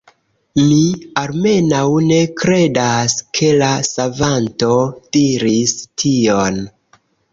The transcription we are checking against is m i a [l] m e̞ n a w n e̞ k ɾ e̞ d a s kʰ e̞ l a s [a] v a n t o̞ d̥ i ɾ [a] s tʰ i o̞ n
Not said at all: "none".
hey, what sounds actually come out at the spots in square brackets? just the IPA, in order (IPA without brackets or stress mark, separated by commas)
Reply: l, a, i